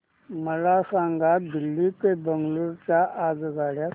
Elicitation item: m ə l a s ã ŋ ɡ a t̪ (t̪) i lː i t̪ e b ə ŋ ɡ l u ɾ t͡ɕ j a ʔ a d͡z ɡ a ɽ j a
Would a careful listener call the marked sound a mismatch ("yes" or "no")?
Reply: yes